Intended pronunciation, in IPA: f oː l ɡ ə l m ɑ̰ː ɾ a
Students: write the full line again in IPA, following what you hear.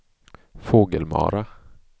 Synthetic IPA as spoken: f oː ɡ ə l m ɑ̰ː ɾ a